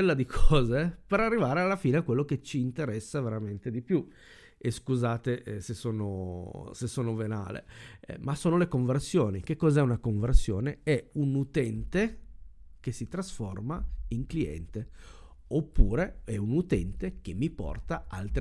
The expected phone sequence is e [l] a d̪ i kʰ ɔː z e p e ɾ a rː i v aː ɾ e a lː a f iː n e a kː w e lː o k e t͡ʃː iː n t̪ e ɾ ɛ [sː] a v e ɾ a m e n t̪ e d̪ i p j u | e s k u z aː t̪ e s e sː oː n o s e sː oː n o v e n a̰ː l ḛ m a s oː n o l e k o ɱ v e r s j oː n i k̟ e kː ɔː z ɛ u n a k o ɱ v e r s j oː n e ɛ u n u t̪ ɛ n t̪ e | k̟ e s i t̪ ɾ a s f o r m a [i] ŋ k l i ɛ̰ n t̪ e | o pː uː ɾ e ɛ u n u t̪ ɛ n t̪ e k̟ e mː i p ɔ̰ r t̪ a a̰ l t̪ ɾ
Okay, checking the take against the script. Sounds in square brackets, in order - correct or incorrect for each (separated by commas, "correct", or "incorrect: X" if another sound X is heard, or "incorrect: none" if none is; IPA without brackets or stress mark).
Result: incorrect: lː, correct, correct